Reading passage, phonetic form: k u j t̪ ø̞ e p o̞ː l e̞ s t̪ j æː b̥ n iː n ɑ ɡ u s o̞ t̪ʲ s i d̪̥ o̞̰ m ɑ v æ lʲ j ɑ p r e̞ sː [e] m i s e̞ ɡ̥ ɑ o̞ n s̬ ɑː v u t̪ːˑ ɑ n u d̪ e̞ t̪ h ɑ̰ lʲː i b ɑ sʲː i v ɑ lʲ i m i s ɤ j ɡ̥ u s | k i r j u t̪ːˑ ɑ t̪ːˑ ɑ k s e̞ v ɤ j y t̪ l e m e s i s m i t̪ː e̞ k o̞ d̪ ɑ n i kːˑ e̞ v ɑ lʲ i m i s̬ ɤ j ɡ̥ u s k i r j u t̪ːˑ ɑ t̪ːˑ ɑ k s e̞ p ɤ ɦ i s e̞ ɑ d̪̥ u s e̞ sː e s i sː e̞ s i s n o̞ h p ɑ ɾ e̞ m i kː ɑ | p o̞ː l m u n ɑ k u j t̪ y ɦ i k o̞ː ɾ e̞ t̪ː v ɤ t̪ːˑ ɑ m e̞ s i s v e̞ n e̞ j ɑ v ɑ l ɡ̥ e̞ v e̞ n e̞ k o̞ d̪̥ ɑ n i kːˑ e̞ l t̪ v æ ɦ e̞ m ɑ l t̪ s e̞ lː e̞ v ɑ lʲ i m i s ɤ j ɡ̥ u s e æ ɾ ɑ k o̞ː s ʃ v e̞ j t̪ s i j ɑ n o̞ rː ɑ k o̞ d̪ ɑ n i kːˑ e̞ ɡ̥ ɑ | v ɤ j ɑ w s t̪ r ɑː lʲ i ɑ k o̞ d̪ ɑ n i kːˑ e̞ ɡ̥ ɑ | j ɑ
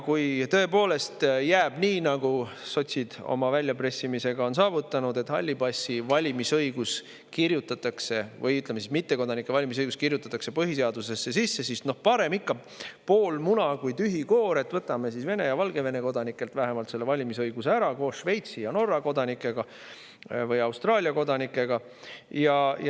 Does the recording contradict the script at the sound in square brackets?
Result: yes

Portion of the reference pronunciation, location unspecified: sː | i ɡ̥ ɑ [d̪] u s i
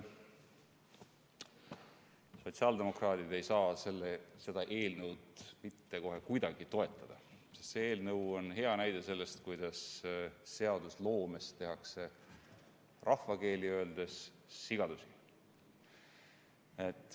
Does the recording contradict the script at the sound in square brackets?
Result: no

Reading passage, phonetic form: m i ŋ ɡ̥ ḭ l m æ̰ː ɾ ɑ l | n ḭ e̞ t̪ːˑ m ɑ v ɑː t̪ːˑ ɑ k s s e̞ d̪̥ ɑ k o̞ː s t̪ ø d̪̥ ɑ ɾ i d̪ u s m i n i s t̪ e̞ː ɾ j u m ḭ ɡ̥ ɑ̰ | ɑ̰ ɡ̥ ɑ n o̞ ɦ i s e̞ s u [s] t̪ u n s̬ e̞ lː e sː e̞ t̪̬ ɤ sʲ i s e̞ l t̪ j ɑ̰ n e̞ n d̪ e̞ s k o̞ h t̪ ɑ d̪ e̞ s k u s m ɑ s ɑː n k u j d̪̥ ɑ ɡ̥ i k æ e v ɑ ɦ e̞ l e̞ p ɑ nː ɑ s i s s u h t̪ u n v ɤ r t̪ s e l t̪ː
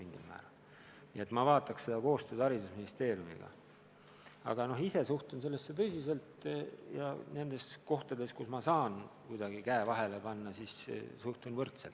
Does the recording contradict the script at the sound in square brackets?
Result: yes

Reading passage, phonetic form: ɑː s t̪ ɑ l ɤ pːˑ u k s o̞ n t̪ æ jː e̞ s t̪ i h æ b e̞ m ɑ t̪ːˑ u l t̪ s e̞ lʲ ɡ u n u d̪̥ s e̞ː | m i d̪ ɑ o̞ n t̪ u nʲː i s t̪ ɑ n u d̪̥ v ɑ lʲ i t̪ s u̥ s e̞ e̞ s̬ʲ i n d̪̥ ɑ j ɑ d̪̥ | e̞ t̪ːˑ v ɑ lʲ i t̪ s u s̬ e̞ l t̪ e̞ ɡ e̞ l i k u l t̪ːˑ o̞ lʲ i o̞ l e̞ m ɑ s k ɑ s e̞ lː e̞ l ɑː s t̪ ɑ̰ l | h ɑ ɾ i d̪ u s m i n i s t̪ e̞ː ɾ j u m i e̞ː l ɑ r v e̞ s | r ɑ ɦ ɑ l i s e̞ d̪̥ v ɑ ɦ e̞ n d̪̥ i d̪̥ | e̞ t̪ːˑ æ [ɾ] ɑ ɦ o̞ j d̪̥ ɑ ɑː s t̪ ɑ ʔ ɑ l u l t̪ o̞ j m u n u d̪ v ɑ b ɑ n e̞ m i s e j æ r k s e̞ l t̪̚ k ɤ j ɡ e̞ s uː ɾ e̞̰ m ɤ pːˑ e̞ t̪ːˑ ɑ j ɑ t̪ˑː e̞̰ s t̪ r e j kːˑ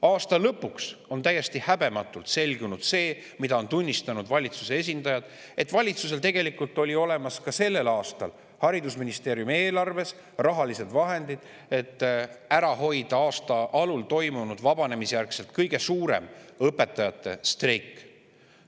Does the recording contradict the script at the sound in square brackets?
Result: no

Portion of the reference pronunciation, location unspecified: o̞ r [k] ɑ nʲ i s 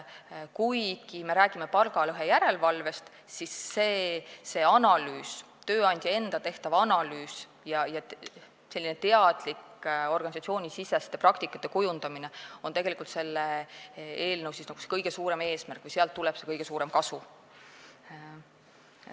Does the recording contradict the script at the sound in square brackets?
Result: yes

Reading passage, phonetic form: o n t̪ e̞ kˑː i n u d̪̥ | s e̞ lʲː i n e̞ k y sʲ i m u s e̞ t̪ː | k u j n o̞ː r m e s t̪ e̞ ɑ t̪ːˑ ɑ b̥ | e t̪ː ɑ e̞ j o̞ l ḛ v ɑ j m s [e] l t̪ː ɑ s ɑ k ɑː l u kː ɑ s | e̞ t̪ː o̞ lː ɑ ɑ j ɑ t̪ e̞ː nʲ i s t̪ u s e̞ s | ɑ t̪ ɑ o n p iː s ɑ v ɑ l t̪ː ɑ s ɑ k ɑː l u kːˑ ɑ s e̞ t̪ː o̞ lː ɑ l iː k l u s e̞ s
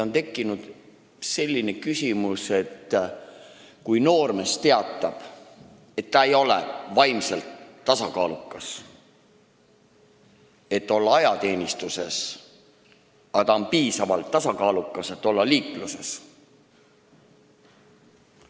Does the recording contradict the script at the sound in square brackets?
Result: no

